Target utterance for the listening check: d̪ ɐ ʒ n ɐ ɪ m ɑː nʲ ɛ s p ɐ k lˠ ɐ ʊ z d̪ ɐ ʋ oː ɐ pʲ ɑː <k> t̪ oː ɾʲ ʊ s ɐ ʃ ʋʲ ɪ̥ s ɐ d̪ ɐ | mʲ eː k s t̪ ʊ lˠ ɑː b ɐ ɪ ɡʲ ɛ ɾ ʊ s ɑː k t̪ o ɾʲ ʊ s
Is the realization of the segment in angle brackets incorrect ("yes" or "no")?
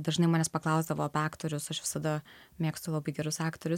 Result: no